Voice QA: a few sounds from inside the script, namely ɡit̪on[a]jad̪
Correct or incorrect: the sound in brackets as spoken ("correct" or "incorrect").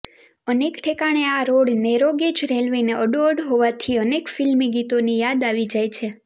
incorrect